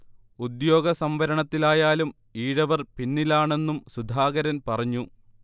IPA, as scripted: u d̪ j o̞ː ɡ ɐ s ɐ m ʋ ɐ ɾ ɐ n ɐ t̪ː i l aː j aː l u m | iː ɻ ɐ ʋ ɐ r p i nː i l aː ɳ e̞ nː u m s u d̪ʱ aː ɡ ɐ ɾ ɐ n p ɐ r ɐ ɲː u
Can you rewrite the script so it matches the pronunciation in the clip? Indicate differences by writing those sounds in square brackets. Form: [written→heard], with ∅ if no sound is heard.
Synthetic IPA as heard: u d̪ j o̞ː ɡ ɐ s ɐ m ʋ ɐ ɾ ɐ [n→ɳ] ɐ t̪ː i l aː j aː l u m | iː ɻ ɐ ʋ ɐ r p i nː i l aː ɳ e̞ nː u m s u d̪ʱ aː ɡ ɐ ɾ ɐ n p ɐ r ɐ ɲː u